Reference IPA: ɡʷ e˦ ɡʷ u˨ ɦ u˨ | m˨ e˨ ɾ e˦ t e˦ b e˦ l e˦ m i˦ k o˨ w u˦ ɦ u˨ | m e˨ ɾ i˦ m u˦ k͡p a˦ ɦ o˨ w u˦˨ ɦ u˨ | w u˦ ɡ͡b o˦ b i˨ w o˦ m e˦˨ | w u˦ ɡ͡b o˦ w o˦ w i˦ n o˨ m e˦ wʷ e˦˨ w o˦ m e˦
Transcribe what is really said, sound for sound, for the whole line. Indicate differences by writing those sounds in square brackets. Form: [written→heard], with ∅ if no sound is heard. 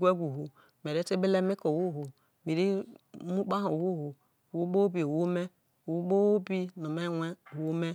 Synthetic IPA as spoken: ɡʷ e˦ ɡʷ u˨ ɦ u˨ | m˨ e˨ ɾ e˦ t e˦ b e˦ l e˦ m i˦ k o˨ w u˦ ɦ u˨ | m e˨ ɾ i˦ m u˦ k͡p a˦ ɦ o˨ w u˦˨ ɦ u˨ | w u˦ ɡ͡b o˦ b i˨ w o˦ m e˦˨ | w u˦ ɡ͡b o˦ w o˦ [w→b] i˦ n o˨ m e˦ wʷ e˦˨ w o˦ m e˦

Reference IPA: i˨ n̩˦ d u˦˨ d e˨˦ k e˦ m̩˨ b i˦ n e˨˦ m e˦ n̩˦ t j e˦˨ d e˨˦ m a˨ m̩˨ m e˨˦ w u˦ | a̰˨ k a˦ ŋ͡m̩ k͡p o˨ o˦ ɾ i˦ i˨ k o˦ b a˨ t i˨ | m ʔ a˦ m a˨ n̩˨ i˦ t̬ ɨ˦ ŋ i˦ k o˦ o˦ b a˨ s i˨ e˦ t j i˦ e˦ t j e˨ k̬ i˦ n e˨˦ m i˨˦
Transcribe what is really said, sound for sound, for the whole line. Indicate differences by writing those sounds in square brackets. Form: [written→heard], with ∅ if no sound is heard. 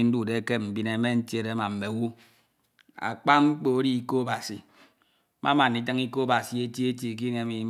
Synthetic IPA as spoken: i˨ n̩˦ d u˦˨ d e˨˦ k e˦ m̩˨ b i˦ n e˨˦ m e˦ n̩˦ t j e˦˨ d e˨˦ m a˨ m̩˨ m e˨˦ w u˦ | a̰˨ [k→k͡p] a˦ ŋ͡m̩ k͡p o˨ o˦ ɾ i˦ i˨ k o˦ b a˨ [t→s] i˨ | m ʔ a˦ m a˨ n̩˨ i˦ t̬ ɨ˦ ŋ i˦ k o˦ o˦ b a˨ s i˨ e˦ t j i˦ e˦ t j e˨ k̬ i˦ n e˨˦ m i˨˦

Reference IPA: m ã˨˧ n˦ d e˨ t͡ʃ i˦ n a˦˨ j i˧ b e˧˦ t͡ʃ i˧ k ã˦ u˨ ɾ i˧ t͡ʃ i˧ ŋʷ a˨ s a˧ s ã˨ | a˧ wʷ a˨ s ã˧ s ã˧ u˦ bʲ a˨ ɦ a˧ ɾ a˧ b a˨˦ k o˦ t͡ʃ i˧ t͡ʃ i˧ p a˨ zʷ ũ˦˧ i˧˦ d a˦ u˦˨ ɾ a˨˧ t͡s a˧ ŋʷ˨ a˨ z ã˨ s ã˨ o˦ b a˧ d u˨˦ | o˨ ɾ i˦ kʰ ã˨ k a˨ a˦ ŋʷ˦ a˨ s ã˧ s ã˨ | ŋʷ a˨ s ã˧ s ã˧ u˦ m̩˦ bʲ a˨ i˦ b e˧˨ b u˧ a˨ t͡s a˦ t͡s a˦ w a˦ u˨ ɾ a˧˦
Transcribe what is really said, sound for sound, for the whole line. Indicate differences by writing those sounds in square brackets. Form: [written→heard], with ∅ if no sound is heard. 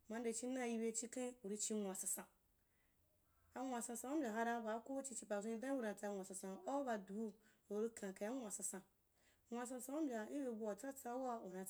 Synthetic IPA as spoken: m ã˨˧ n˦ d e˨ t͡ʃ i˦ n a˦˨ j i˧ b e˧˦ t͡ʃ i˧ k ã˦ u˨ ɾ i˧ t͡ʃ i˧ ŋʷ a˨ s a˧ s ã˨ | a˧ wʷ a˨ s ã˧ s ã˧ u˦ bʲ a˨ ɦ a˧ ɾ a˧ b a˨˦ k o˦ t͡ʃ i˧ t͡ʃ i˧ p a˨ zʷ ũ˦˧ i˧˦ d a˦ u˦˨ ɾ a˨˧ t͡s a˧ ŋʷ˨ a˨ [z→s] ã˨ s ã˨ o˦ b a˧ d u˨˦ | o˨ ɾ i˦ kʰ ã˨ k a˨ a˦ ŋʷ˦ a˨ s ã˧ s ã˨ | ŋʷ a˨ s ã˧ s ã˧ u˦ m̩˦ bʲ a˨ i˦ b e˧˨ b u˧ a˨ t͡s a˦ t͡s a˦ w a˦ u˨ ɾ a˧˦

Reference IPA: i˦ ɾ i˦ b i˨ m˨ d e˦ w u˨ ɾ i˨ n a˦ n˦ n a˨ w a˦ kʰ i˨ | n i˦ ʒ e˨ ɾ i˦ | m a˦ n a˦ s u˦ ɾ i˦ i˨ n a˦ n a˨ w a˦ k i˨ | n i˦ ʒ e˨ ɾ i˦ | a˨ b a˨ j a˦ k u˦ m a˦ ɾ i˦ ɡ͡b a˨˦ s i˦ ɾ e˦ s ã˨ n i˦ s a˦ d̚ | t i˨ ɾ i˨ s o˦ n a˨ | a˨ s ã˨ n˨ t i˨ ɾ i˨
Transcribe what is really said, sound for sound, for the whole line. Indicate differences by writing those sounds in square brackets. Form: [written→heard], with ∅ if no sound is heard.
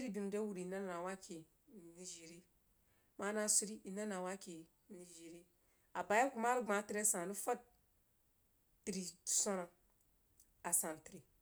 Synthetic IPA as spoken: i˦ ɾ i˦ b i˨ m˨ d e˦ w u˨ ɾ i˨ n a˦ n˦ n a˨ w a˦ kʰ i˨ | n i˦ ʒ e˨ ɾ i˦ | m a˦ n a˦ s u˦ ɾ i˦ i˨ n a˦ n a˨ w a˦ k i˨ | n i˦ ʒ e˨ ɾ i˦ | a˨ b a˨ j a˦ k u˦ m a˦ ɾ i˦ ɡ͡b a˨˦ [s→t] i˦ ɾ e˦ s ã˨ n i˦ [s→f] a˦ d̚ | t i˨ ɾ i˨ s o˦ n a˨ | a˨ s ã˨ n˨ t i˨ ɾ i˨

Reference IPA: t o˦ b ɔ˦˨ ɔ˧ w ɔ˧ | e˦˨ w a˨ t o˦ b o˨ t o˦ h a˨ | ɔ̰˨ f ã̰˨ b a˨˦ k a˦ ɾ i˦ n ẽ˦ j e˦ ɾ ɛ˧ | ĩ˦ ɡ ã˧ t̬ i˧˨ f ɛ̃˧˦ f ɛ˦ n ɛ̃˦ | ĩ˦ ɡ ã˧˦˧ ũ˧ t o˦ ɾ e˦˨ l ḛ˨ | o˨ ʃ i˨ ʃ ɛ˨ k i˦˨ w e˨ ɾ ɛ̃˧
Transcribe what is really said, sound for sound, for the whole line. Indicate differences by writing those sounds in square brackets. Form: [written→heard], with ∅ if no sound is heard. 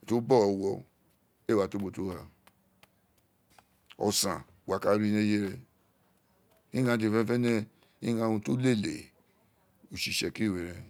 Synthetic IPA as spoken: t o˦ b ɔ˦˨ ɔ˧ w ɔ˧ | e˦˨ w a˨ t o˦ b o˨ t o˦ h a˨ | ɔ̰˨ [f→s] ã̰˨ [b→w] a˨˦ k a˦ ɾ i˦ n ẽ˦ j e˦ ɾ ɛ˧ | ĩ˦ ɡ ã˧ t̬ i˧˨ f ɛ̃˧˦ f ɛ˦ n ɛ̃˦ | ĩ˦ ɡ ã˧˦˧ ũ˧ t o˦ [ɾ→l] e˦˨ l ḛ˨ | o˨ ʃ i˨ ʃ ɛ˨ k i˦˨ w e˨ ɾ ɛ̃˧

